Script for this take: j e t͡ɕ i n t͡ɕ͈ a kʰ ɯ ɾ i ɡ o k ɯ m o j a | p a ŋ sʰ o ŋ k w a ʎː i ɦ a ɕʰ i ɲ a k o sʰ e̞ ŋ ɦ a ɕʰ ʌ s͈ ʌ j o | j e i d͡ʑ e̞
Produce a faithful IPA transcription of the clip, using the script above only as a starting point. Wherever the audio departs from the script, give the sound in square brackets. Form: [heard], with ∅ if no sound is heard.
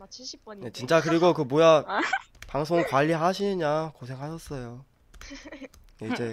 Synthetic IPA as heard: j e t͡ɕ i n t͡ɕ͈ a [k] ɯ ɾ i ɡ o k ɯ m o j a | p a ŋ sʰ o ŋ k w a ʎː i ɦ a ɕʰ i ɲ a k o sʰ e̞ ŋ ɦ a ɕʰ ʌ s͈ ʌ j o | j e i d͡ʑ e̞